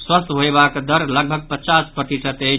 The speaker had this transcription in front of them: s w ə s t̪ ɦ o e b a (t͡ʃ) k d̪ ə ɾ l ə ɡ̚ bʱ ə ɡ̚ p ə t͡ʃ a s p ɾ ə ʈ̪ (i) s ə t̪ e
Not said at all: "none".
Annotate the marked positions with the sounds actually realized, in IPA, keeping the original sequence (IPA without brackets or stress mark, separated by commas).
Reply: none, i